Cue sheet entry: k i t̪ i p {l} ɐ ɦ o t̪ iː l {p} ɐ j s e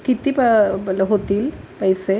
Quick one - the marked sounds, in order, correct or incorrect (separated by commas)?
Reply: correct, correct